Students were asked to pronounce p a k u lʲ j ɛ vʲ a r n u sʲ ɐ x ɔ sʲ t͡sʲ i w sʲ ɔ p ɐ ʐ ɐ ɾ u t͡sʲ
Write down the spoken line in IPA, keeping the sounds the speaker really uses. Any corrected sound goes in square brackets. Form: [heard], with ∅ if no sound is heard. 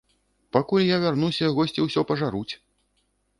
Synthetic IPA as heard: p a k u lʲ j [a] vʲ a r n u sʲ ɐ [ɣ] ɔ sʲ t͡sʲ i w sʲ ɔ p ɐ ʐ [a] ɾ u t͡sʲ

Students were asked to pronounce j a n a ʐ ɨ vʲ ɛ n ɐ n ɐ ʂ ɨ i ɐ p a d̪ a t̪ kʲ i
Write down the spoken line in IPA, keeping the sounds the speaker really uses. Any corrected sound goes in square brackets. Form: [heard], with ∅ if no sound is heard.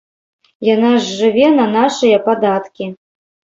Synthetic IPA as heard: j a n a [ʐː] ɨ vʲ ɛ n ɐ n [a] ʂ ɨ [j] ɐ p a d̪ a t̪ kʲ i

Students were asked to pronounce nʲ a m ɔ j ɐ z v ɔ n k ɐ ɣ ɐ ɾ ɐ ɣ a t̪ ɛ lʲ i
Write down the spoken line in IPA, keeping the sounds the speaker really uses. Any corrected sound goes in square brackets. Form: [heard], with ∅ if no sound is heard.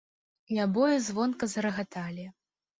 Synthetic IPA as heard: nʲ a [b] ɔ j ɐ z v ɔ n k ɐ [z] ɐ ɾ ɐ ɣ a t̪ [a] lʲ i

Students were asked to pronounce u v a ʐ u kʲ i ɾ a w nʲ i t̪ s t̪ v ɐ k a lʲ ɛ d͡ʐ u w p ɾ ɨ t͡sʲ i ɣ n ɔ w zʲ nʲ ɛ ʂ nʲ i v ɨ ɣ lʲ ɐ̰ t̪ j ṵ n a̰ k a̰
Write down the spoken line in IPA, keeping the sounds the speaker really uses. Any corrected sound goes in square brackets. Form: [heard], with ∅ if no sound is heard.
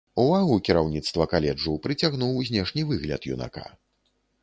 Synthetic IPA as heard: u v a [ɣ] u kʲ i ɾ a w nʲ i t̪ s t̪ v ɐ k a lʲ ɛ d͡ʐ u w p ɾ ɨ t͡sʲ [a] ɣ n [u] w zʲ nʲ ɛ ʂ nʲ i v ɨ ɣ lʲ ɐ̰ t̪ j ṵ n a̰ k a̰

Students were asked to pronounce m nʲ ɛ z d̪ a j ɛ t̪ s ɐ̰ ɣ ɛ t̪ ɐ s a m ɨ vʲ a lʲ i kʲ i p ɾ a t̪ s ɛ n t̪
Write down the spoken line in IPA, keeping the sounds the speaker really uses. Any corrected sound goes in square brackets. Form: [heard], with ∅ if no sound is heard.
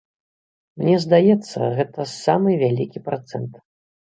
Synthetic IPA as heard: m nʲ ɛ z d̪ a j ɛ t̪ [sː] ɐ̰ ɣ ɛ t̪ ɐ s a m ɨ vʲ a lʲ i kʲ i p ɾ a t̪ s ɛ n t̪

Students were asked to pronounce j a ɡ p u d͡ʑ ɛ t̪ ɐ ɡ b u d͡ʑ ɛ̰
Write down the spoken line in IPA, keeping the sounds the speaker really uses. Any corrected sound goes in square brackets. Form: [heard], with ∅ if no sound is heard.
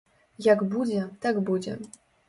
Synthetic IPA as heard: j a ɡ [b] u d͡ʑ ɛ t̪ [a] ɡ b u d͡ʑ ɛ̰

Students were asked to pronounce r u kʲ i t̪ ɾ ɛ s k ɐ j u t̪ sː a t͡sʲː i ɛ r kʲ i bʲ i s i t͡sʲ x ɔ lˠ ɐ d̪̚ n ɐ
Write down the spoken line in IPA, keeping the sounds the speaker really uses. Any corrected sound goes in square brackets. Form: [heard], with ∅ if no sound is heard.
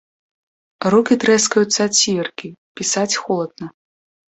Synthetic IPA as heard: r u kʲ i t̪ ɾ ɛ s k ɐ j u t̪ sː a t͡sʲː i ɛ r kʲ i [pʲ] i s [a] t͡sʲ x ɔ lˠ ɐ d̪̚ n ɐ

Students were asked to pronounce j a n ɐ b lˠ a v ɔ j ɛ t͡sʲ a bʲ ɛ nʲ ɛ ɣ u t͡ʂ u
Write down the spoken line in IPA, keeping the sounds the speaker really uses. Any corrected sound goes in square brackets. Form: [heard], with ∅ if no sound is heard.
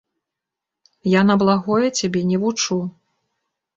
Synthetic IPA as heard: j a n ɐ b lˠ a [ɣ] ɔ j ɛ t͡sʲ a bʲ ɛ nʲ ɛ [v] u t͡ʂ u

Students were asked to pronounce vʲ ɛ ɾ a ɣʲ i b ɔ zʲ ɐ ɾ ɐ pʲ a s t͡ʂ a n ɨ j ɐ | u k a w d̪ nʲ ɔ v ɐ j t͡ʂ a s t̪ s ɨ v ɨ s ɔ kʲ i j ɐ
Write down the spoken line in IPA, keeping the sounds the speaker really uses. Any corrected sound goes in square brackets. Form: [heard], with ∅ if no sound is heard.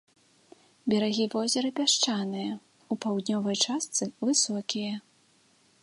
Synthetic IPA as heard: [bʲ] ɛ ɾ a ɣʲ i [v] ɔ zʲ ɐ ɾ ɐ pʲ a [ʂ] t͡ʂ a n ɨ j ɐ | u [p] a w d̪ nʲ ɔ v ɐ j t͡ʂ a s t̪ s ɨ v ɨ s ɔ kʲ i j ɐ

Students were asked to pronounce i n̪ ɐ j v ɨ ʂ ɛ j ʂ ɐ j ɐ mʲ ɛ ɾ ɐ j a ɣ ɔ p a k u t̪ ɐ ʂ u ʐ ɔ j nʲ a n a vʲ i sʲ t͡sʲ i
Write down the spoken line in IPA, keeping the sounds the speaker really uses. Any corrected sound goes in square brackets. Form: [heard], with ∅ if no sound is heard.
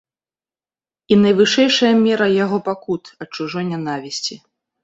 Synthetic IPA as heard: i n̪ ɐ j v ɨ ʂ ɛ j ʂ ɐ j ɐ mʲ ɛ ɾ ɐ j a ɣ ɔ p a k u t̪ ɐ [t͡ʂ] u ʐ ɔ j nʲ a n a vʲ i sʲ t͡sʲ i

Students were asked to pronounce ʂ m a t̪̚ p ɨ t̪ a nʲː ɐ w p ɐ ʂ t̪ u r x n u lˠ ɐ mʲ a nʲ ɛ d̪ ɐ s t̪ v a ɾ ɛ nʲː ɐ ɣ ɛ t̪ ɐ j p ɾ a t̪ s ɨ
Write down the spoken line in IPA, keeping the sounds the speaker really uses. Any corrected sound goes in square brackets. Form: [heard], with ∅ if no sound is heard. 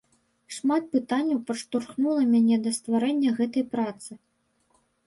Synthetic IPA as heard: ʂ m a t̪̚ p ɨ t̪ a nʲː ɐ w p ɐ ʂ t̪ u r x n u lˠ ɐ mʲ a nʲ ɛ d̪ ɐ s t̪ v a ɾ ɛ nʲː ɐ ɣ ɛ t̪ ɐ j p ɾ a t̪ s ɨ

